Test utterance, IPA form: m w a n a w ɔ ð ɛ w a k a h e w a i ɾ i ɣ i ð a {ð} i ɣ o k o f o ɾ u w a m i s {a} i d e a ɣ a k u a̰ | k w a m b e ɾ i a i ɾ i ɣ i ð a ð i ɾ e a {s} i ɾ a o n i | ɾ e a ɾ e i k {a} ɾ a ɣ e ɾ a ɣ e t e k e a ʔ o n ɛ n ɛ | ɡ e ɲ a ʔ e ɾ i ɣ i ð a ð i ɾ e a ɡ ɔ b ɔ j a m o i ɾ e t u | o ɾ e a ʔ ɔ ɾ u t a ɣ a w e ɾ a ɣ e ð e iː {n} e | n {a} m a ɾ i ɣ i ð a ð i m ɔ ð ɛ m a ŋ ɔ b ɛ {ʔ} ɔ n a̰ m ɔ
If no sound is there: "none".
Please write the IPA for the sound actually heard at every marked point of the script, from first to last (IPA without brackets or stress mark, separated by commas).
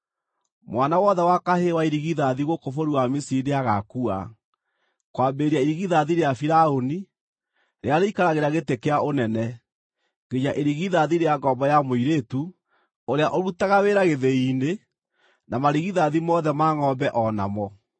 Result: ð, i, f, a, n, a, ʔ